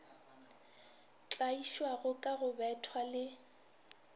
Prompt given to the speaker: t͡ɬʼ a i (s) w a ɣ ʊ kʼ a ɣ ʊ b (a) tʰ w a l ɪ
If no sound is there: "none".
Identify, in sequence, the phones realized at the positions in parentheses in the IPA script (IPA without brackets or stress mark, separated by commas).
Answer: ʃ, ɛ